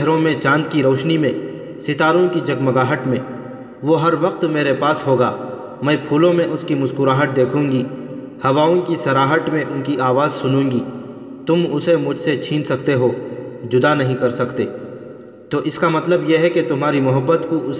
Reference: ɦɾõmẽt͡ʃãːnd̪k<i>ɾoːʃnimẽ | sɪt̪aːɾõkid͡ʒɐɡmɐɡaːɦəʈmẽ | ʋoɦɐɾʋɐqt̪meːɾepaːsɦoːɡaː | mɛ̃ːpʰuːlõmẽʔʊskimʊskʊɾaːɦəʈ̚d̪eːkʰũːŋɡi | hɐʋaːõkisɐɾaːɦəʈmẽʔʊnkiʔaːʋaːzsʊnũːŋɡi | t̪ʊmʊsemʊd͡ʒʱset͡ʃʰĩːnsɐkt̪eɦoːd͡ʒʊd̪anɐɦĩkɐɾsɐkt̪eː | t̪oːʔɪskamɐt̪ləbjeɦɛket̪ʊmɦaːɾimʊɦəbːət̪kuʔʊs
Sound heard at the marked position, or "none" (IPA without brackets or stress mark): i